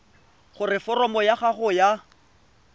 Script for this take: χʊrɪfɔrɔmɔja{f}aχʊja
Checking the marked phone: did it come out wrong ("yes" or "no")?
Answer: yes